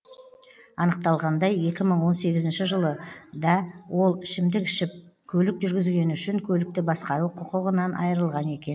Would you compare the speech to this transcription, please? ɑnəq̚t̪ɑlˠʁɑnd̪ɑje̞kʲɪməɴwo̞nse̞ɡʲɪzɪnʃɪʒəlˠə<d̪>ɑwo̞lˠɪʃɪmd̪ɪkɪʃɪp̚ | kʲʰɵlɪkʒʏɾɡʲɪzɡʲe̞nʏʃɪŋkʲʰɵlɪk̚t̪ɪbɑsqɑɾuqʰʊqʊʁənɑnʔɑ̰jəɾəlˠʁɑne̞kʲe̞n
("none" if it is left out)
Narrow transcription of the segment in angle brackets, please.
d̪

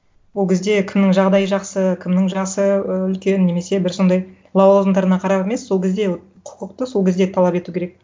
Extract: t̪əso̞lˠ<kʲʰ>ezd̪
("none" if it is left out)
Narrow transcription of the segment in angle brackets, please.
kʲ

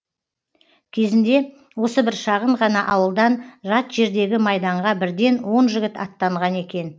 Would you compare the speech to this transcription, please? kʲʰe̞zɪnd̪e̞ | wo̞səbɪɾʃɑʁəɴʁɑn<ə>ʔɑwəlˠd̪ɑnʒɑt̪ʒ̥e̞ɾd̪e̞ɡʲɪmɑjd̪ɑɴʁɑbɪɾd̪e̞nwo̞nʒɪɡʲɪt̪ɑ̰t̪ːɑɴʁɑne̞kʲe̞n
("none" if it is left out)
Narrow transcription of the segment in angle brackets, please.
ɑ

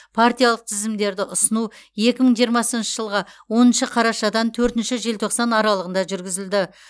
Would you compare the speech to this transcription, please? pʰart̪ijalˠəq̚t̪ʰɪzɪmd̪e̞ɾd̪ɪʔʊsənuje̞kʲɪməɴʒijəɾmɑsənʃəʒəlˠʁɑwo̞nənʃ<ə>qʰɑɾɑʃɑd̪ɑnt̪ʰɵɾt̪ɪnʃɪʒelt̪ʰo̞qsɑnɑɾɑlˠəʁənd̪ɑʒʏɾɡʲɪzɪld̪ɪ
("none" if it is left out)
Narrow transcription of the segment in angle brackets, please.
ə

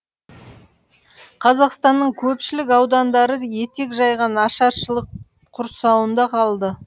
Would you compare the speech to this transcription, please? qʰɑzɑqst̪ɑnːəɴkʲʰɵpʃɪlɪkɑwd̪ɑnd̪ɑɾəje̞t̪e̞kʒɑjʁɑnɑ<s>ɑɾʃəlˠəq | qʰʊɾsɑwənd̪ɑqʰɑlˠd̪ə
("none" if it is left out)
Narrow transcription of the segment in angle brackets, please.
ʃ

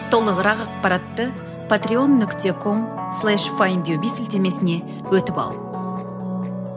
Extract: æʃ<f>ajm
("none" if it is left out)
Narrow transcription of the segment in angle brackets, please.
f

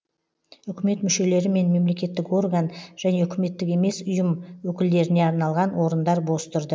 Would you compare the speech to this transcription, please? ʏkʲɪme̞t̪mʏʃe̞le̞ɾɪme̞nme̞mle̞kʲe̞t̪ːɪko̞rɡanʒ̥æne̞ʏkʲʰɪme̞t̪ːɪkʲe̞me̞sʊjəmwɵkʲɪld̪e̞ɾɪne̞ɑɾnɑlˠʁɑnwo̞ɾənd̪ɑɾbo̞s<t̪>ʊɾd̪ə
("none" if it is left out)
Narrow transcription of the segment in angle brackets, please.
t̪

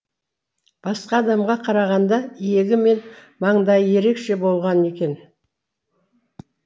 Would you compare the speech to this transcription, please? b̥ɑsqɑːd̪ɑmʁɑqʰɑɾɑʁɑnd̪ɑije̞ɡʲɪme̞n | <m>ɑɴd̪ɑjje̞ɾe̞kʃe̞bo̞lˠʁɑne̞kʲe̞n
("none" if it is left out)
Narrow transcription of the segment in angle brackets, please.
m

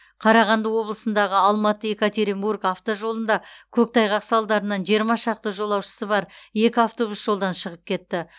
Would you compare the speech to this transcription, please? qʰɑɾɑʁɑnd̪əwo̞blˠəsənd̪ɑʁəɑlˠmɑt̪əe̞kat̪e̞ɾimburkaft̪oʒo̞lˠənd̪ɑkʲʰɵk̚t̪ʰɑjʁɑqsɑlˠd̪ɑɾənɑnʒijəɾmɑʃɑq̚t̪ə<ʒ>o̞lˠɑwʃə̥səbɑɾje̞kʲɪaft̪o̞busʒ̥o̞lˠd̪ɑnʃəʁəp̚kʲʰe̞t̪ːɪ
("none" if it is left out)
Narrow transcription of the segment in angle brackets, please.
ʒ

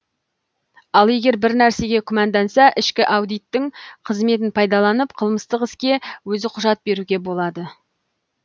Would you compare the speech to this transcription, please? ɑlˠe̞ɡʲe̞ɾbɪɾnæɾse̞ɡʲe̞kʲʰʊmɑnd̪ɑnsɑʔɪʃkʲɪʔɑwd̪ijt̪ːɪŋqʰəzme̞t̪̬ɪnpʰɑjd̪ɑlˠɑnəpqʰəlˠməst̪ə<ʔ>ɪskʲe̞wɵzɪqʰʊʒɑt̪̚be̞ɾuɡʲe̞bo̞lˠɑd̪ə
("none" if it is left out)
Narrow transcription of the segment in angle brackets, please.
q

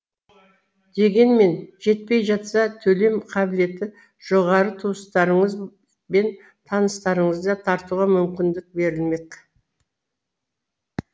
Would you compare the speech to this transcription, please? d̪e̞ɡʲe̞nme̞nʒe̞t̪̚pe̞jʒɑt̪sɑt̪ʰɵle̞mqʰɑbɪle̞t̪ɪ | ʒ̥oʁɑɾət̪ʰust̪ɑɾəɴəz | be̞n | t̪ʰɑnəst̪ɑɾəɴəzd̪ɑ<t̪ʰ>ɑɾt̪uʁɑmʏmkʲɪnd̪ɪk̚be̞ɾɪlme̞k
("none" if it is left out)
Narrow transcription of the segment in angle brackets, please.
t̪ʰ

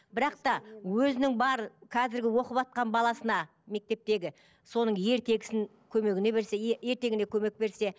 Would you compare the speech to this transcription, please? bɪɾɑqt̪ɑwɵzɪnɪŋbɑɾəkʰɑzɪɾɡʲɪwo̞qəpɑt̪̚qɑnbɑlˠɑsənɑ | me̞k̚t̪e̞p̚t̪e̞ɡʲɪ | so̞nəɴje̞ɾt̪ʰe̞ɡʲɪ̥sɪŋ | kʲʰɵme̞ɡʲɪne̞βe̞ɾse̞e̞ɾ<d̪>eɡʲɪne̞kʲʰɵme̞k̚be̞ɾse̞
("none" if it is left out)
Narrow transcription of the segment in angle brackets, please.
t̪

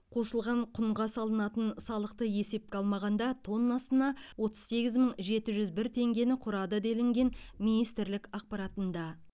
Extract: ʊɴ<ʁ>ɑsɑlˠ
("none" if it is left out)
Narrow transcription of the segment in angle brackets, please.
ʁ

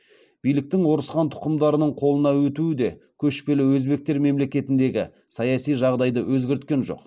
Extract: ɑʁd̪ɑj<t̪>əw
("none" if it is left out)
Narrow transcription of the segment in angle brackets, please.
d̪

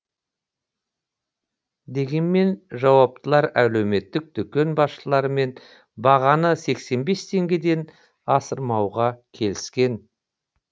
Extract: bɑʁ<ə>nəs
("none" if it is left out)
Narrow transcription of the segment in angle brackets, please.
ɑ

